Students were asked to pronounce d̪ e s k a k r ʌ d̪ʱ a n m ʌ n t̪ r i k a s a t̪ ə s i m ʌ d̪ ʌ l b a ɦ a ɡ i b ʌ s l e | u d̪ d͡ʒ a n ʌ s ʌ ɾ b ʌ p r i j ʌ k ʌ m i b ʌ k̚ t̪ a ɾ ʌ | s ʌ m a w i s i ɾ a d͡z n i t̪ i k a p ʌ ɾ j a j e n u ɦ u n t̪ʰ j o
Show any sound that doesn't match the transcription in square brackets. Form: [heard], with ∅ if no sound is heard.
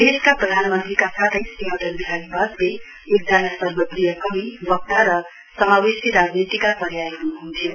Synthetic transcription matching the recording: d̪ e s k a [p] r ʌ d̪ʱ a n m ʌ n t̪ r i k a s a [t̪ʰ] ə s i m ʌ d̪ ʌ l b [i] ɦ a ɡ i b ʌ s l e | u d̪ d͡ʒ a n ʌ s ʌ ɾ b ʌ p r i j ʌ k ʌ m i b ʌ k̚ t̪ a ɾ ʌ | s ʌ m a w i s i ɾ a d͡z n i t̪ i k a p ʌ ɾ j a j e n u ɦ u n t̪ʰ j o